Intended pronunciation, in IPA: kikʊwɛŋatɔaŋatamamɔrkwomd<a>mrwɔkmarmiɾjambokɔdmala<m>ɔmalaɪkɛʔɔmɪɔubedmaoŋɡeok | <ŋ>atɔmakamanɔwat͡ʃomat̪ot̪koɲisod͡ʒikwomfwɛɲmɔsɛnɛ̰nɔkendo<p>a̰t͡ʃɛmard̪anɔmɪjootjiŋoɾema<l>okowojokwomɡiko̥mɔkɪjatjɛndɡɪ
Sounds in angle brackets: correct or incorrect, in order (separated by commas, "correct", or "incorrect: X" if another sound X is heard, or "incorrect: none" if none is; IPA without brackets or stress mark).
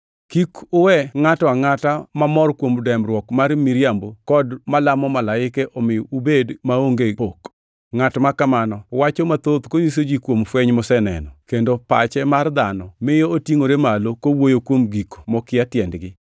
incorrect: ɛ, correct, correct, correct, correct